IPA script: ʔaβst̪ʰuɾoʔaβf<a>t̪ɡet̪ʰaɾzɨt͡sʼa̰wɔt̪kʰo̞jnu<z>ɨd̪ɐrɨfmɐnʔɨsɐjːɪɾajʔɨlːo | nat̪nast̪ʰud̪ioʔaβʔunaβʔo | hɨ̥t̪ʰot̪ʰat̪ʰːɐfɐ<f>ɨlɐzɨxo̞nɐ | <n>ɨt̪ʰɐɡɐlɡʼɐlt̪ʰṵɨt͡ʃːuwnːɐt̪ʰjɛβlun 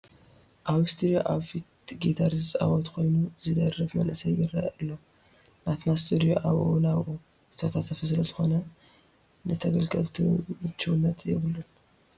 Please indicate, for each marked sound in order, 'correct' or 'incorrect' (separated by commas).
incorrect, correct, incorrect, correct